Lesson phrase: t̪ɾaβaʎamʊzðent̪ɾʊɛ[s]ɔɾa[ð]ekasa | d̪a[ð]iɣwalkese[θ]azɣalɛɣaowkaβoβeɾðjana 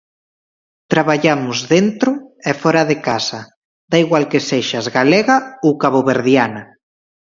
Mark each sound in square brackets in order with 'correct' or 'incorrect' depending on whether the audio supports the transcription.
incorrect: f, correct, incorrect: none, incorrect: ʃ

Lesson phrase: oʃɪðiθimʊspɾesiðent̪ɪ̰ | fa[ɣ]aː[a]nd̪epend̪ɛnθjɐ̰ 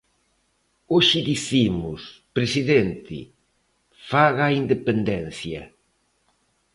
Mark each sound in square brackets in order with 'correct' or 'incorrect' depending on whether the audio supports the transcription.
correct, incorrect: i

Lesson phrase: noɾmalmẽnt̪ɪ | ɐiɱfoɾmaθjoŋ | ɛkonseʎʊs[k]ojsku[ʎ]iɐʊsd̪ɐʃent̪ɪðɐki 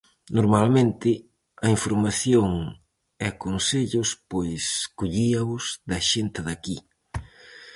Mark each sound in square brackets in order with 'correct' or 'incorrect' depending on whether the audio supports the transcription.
incorrect: p, correct

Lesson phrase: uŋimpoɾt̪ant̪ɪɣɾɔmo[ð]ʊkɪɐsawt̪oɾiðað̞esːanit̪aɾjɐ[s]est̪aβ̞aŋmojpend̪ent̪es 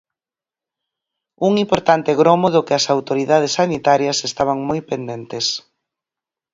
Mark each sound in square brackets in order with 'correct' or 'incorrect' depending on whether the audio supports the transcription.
correct, correct

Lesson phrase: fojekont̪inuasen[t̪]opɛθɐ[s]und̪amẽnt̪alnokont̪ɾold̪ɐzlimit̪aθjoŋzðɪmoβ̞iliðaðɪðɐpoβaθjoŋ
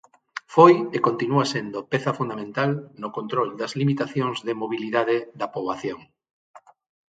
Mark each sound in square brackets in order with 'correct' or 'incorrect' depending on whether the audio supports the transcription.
incorrect: d̪, incorrect: f

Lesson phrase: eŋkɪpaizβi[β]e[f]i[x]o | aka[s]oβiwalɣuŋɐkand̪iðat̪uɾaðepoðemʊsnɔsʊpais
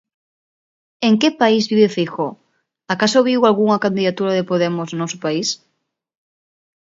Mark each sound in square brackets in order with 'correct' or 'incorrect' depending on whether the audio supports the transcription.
correct, correct, correct, correct

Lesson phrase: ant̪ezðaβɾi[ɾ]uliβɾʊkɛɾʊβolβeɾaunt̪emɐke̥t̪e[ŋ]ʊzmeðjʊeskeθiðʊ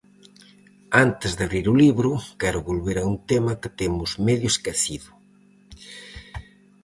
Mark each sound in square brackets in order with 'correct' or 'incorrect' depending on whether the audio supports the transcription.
correct, incorrect: m

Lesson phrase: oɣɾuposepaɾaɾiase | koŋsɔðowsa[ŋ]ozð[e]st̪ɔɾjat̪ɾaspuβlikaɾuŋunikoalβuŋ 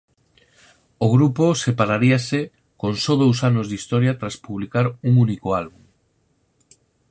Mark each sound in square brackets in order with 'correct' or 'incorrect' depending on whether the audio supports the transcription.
incorrect: n, incorrect: i

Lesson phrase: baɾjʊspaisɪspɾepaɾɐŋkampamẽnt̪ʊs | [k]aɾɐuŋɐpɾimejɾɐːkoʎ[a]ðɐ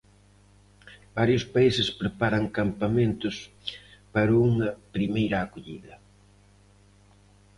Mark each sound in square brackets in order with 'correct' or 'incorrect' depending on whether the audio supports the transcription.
incorrect: p, incorrect: i

